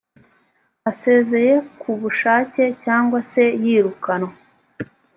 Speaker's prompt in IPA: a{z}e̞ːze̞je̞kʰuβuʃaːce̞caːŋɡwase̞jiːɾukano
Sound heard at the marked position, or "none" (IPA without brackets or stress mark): s